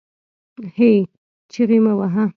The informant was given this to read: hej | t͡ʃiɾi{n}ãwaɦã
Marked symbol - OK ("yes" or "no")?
no